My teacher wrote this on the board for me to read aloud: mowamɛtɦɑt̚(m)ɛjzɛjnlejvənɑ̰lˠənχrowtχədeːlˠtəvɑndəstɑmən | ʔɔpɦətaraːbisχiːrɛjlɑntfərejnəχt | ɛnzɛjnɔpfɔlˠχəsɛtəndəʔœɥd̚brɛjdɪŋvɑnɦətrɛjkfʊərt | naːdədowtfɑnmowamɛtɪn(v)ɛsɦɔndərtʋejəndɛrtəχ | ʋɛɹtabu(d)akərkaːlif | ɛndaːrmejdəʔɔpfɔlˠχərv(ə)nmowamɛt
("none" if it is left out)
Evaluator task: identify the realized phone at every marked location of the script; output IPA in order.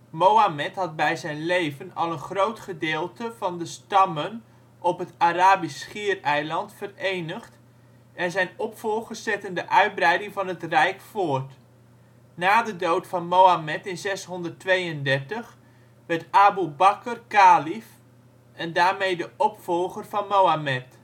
b, z, b, ɑ

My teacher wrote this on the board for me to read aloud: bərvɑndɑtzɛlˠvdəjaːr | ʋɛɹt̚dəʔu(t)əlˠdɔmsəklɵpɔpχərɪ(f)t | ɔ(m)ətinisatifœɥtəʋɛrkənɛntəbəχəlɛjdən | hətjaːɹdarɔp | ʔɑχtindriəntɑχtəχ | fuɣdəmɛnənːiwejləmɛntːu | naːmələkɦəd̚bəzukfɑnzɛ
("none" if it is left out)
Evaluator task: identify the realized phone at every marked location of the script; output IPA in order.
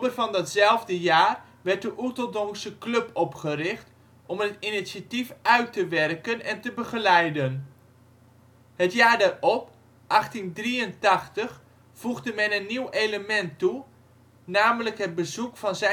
t, χ, m

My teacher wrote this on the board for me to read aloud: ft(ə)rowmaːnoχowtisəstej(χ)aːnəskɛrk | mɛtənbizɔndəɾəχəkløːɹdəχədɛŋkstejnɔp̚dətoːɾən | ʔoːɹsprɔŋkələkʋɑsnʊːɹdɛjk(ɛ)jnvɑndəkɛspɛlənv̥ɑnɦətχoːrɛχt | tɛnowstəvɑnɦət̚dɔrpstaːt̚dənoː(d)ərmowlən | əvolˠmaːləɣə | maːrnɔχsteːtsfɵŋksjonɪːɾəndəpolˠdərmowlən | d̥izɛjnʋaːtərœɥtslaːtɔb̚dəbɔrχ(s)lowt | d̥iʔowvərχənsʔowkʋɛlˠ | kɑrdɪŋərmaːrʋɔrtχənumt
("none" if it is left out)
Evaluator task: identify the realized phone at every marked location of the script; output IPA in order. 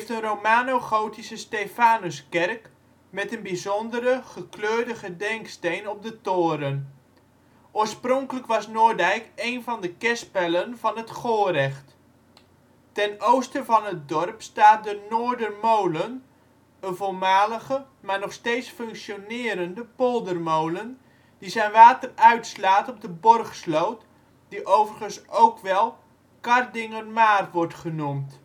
ə, f, e, d, s

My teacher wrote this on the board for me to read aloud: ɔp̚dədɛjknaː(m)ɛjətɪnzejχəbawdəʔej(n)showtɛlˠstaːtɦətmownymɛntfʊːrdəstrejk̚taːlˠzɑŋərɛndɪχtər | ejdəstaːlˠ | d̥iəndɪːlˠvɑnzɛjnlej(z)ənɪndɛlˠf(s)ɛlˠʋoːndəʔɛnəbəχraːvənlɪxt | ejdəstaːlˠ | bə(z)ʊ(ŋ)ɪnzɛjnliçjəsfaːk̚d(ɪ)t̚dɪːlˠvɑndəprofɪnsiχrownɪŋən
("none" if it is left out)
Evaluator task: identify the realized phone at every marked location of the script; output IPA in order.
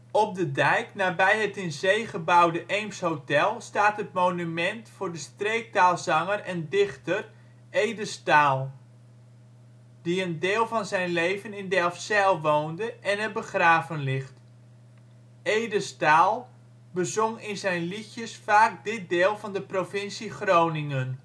b, m, v, s, z, ŋ, ɪ

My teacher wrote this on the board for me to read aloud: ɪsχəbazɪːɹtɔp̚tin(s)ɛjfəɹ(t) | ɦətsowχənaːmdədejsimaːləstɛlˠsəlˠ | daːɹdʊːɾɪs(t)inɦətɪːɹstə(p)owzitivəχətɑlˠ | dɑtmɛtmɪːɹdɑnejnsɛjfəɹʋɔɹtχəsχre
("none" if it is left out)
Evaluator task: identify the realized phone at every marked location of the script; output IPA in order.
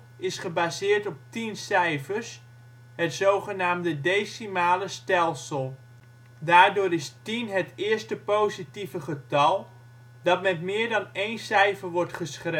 s, s, t, p

